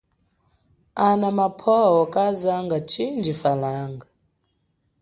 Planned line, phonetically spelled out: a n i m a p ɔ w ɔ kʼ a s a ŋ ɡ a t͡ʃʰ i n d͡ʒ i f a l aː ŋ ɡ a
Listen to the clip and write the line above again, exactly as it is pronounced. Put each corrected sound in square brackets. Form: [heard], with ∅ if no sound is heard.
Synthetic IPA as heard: a n [a] m a [pʰ] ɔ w ɔ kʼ a [z] a ŋ ɡ a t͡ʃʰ i n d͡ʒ i f a l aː ŋ ɡ a